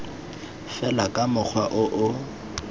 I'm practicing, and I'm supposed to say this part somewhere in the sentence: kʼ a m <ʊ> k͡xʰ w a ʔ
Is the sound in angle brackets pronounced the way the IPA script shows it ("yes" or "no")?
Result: yes